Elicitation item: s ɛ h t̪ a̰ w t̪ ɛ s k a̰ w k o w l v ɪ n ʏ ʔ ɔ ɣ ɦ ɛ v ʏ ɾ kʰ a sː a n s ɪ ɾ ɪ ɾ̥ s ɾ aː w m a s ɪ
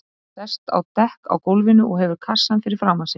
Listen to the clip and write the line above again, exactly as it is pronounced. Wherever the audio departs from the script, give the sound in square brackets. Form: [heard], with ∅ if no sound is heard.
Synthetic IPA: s ɛ [s] t̪ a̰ w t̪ ɛ [h] k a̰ w k o w l v ɪ n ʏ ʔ ɔ ɣ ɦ ɛ v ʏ ɾ kʰ a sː a n [f] ɪ ɾ ɪ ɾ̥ [f] ɾ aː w m a s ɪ